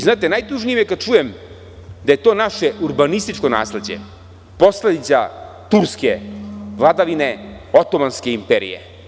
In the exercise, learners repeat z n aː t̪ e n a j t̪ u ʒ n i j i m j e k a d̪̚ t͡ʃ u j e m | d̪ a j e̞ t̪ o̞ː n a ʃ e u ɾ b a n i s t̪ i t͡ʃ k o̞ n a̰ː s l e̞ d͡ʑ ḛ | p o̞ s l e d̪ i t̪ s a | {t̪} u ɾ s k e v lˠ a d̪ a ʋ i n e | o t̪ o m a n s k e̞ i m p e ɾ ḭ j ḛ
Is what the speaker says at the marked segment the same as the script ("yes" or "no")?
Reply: yes